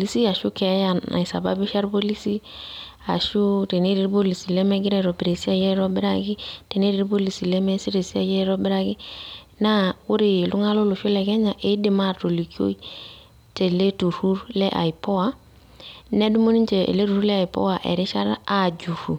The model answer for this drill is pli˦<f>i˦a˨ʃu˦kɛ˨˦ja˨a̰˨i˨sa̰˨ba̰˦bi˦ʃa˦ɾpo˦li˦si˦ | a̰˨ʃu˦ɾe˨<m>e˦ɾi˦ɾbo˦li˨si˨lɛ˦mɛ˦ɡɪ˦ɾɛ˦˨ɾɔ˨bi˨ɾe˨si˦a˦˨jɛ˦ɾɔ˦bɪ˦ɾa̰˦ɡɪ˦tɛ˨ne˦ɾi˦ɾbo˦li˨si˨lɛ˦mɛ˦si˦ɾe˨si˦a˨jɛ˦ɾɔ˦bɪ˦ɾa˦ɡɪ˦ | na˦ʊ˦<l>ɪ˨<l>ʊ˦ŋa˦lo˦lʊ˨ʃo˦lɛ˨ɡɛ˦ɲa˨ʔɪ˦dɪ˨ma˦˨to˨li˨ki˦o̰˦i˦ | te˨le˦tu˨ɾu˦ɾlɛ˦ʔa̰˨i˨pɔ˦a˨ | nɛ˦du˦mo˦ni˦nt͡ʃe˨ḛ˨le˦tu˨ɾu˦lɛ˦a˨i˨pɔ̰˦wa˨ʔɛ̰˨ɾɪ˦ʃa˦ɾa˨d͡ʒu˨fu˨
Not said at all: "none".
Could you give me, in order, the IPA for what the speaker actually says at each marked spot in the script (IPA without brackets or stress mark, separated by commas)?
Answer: s, n, ɾ, l